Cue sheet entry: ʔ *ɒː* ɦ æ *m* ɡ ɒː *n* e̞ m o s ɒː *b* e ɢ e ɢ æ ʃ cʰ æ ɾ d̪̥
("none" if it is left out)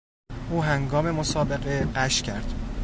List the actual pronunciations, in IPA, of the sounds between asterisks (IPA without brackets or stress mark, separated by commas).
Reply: uː, ŋ, m, b